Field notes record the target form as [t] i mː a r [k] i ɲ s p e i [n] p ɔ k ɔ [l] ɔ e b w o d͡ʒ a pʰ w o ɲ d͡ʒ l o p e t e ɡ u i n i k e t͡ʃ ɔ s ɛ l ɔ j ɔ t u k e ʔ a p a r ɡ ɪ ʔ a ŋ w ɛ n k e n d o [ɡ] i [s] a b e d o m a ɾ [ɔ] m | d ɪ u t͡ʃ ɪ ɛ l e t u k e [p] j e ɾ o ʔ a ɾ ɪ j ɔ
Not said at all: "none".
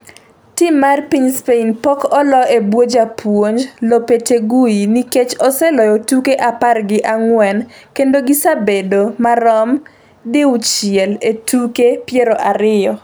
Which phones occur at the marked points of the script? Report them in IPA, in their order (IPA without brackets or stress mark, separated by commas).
t, p, n, l, ɡ, s, ɔ, p